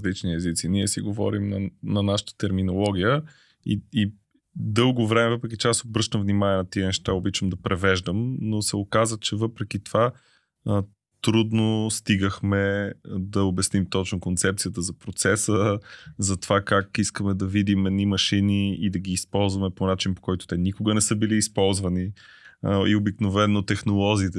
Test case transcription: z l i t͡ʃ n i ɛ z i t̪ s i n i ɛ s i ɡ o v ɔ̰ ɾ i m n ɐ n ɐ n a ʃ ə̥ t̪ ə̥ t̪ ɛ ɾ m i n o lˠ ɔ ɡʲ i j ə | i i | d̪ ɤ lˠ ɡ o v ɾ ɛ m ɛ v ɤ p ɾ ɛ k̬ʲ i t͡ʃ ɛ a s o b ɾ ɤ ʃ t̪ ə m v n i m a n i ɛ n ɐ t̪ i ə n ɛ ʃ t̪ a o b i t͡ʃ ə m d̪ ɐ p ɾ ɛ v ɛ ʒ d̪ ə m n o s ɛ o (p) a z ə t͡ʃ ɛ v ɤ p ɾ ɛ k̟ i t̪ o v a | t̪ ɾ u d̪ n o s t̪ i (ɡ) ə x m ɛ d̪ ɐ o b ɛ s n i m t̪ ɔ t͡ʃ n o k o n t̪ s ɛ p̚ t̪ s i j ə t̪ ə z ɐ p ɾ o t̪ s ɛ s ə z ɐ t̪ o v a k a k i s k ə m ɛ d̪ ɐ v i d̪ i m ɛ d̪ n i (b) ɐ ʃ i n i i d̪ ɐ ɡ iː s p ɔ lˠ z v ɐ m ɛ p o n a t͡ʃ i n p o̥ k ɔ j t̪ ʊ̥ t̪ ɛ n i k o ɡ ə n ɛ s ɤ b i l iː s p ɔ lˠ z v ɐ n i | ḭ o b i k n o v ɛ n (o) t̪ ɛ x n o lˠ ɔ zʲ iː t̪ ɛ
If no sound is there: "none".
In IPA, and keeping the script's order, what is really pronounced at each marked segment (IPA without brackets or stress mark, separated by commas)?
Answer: k, ɡ, m, o